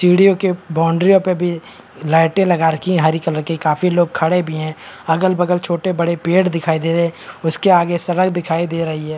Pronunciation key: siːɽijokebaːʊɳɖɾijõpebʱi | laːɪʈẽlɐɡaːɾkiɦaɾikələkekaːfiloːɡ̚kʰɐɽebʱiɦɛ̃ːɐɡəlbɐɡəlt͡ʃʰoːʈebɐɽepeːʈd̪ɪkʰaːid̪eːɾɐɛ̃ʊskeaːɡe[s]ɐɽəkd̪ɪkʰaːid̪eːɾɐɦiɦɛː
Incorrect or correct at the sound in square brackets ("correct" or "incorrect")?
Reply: correct